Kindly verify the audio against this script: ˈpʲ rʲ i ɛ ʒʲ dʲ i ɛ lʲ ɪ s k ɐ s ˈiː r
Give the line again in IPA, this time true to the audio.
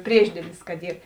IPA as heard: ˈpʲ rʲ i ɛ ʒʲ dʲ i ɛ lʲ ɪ s k ɐ t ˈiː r